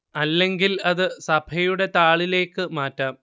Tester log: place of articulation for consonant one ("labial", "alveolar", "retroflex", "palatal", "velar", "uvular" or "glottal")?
alveolar